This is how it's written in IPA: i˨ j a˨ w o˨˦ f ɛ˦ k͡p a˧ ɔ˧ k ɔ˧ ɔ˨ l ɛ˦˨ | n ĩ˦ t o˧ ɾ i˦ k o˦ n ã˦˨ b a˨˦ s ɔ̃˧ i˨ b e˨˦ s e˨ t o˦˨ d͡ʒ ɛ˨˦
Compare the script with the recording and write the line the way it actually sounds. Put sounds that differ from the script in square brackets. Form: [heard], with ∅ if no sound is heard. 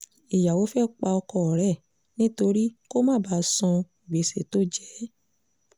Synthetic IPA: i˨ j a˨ w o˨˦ f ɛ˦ k͡p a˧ ɔ˧ k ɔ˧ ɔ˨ [ɾ] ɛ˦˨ | n ĩ˦ t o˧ ɾ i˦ k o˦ [m] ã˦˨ b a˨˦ s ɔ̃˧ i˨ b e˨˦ s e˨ t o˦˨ d͡ʒ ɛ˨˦